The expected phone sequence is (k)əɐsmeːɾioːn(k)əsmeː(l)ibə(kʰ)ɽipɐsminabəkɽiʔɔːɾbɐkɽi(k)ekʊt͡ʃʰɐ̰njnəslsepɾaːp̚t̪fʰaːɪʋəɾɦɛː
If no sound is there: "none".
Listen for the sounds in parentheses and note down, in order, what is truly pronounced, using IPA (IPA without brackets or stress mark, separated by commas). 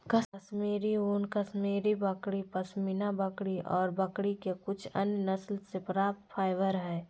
k, k, ɾ, k, k